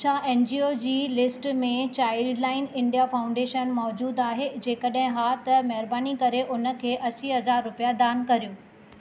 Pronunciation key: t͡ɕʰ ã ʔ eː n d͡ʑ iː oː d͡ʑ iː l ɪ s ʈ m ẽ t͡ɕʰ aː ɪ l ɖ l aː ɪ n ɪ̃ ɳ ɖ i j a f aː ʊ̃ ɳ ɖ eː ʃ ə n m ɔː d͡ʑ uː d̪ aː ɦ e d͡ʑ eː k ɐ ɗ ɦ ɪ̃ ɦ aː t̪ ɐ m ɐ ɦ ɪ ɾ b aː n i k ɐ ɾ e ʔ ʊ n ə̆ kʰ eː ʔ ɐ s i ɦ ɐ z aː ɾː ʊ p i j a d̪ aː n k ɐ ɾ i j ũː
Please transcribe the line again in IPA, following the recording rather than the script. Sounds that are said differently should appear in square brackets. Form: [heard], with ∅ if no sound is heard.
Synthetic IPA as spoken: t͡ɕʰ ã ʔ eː n d͡ʑ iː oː d͡ʑ iː l ɪ s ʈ m ẽ [t͡ɕ] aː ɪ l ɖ l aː ɪ n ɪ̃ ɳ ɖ i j a f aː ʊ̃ ɳ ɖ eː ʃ ə n m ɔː d͡ʑ uː d̪ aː ɦ e d͡ʑ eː k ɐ ɗ ɦ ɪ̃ ɦ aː t̪ ɐ m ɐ ɦ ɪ ɾ b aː n i k ɐ ɾ e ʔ ʊ n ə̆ kʰ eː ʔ ɐ s i ɦ ɐ z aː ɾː ʊ p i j a d̪ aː n k ɐ ɾ i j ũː